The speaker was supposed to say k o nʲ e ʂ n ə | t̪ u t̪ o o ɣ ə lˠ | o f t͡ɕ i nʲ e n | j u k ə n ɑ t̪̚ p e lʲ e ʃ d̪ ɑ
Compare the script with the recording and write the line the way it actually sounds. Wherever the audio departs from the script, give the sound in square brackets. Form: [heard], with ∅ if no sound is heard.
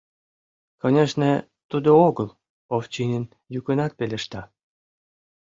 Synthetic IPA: k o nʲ e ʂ n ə | t̪ u [d̪] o o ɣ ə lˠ | o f t͡ɕ i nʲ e n | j u k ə n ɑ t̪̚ p e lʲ e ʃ [t̪] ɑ